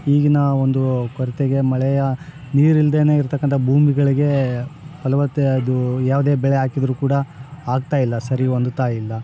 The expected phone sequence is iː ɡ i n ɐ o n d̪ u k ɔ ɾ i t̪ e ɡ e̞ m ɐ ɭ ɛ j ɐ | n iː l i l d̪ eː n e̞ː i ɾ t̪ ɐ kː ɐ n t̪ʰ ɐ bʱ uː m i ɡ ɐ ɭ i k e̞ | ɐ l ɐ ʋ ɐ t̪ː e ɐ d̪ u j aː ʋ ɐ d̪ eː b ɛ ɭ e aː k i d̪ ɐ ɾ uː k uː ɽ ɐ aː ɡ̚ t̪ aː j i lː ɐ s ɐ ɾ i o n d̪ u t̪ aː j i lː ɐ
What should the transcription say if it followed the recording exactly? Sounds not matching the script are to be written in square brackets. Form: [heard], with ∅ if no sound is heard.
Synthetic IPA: iː ɡ i n ɐ o n d̪ u k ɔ ɾ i t̪ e ɡ e̞ m ɐ ɭ ɛ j ɐ | n iː [ɾ] i l d̪ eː n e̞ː i ɾ t̪ ɐ kː ɐ n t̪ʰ ɐ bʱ uː m i ɡ ɐ ɭ i [ɡ] e̞ | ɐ l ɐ ʋ ɐ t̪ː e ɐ d̪ u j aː ʋ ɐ d̪ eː b ɛ ɭ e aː k i d̪ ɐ ɾ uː k uː ɽ ɐ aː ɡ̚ t̪ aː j i lː ɐ s ɐ ɾ i o n d̪ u t̪ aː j i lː ɐ

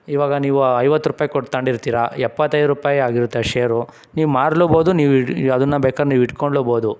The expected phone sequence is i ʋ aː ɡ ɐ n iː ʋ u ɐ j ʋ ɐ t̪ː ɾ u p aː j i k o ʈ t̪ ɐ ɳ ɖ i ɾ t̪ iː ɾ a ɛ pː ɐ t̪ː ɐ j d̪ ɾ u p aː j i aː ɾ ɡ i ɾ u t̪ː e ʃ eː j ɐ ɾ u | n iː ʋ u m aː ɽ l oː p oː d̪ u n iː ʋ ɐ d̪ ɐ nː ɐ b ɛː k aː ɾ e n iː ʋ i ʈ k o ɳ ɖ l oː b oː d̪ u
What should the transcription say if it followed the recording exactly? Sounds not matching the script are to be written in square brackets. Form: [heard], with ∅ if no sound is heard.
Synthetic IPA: i ʋ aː ɡ ɐ n iː ʋ u ɐ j ʋ ɐ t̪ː ɾ u p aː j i k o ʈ t̪ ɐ ɳ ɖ i ɾ t̪ iː ɾ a ɛ pː ɐ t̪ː ɐ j d̪ ɾ u p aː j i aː [∅] ɡ i ɾ u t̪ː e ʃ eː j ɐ ɾ u | n iː ʋ u m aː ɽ l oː [b] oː d̪ u n iː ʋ ɐ d̪ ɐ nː ɐ b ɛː k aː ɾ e n iː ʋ i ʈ k o ɳ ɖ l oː b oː d̪ u

